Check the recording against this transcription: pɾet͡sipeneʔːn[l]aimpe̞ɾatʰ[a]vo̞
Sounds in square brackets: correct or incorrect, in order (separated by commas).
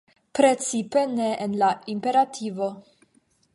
correct, incorrect